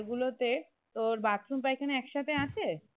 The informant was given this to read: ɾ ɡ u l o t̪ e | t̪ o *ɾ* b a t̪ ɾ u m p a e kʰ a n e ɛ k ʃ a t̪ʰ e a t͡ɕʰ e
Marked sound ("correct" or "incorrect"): correct